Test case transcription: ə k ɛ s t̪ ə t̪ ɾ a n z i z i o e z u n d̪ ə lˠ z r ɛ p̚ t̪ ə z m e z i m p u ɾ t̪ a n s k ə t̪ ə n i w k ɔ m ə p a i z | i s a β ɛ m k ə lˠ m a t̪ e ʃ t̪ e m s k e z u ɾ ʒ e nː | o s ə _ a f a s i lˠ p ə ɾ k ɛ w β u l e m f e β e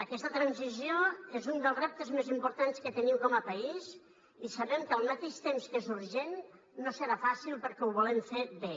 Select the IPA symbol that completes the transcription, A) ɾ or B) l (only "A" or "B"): A